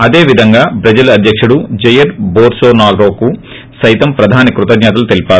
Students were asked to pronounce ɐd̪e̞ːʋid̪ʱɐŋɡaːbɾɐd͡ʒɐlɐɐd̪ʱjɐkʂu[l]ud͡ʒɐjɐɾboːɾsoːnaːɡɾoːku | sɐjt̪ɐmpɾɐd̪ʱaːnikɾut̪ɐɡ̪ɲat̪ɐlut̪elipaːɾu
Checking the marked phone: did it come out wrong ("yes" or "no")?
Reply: yes